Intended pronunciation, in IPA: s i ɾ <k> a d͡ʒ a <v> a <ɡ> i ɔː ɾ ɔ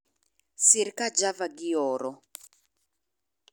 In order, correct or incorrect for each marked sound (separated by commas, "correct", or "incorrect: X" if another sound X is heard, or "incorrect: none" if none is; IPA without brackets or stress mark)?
correct, correct, correct